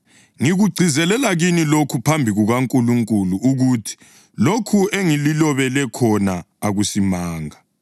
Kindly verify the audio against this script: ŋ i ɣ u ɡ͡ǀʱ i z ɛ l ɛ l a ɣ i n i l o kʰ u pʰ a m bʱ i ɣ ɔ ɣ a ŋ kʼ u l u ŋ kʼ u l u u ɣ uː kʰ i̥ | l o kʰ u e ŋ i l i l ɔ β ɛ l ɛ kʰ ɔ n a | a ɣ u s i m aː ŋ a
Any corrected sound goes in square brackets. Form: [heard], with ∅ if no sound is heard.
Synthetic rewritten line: ŋ i ɣ u ɡ͡ǀʱ i z ɛ l ɛ l a ɣ i n i l o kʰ u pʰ a m bʱ i ɣ [u] ɣ a ŋ kʼ u l u ŋ kʼ u l u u ɣ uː [tʰ] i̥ | l o kʰ u e ŋ i l i l ɔ β ɛ l ɛ kʰ ɔ n a | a ɣ u s i m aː ŋ a